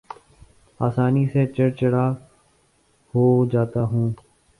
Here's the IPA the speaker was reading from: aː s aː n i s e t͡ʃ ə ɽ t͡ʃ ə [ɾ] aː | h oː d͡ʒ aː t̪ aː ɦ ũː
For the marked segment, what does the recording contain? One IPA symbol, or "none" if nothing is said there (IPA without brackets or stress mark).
ɽ